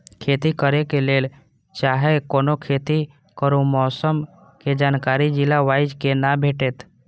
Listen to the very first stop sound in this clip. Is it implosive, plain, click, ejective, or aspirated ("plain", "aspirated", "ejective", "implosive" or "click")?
aspirated